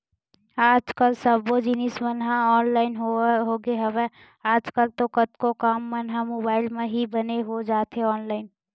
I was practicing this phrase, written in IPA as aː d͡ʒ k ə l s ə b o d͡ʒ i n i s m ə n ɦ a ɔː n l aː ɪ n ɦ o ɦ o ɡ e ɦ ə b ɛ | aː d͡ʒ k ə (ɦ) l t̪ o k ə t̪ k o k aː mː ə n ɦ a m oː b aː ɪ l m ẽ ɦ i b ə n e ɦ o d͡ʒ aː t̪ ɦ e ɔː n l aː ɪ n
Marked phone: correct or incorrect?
incorrect